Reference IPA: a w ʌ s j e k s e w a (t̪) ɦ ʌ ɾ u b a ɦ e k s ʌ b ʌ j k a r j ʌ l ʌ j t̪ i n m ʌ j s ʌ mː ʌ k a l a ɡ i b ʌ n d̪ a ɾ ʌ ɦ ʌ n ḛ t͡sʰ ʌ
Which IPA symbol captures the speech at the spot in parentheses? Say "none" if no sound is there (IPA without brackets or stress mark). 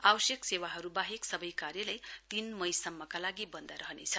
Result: none